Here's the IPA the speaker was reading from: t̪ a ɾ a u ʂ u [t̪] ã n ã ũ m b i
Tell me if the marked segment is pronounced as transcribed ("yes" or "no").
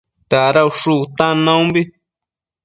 yes